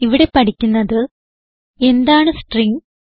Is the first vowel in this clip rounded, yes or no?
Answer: no